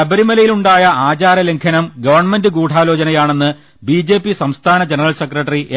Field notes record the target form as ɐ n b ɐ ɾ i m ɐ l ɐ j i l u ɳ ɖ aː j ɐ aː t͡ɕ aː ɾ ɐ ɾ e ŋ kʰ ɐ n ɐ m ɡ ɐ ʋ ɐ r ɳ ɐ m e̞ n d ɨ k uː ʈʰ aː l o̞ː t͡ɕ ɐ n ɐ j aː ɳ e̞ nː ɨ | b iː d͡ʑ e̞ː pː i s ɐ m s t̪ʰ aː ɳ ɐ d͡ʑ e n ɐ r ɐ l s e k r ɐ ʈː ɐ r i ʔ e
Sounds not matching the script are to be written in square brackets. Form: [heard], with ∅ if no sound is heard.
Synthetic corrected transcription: ɐ [∅] b ɐ ɾ i m ɐ l ɐ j i l u ɳ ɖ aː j ɐ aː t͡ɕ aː ɾ ɐ [l] e ŋ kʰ ɐ n ɐ m ɡ ɐ ʋ ɐ r ɳ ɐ m e̞ n d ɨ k uː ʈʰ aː l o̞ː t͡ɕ ɐ n ɐ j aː ɳ e̞ nː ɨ | b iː d͡ʑ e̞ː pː i s ɐ m s t̪ʰ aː [n] ɐ d͡ʑ e n ɐ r ɐ l s e k r ɐ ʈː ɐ r i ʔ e